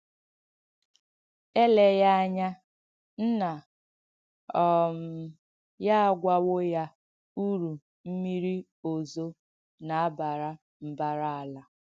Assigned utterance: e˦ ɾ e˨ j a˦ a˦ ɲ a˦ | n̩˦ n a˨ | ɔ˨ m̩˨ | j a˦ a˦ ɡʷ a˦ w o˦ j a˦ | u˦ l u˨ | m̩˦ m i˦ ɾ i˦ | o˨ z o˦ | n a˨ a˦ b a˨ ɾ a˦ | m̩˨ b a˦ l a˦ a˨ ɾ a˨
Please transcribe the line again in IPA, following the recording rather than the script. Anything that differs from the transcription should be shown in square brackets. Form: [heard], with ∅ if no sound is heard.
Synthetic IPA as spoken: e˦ [l] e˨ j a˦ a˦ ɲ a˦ | n̩˦ n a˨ | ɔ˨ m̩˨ | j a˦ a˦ ɡʷ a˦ w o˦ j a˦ | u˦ [ɾ] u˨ | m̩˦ m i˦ ɾ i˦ | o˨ z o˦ | n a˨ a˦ b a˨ ɾ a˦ | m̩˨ b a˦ [ɾ] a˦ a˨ [l] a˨